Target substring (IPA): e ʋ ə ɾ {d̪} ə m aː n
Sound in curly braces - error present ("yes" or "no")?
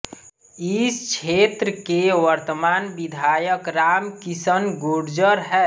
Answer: yes